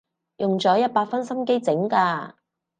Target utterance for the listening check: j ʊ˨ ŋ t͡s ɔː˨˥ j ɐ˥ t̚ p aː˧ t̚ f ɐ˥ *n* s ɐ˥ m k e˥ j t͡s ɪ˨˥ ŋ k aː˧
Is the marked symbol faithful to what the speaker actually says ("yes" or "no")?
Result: yes